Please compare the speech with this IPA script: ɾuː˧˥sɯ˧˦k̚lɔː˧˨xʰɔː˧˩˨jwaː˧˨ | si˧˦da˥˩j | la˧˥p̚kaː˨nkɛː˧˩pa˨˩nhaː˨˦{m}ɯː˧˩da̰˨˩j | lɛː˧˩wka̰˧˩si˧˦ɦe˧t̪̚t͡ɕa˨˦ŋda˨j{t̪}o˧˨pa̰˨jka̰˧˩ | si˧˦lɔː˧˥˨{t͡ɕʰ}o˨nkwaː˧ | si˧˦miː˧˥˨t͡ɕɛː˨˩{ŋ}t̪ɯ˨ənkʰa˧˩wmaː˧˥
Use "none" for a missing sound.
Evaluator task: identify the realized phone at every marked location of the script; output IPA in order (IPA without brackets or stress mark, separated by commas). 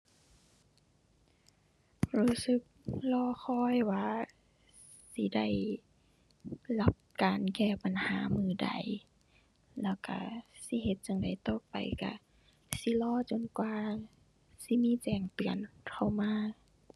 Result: m, t̪, t͡ɕ, ŋ